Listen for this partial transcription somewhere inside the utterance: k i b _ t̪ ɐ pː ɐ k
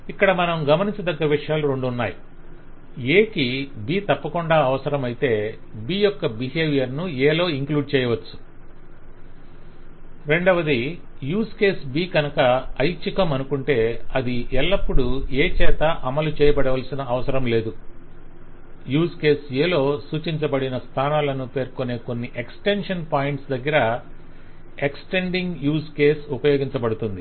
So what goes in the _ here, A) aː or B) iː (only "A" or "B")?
B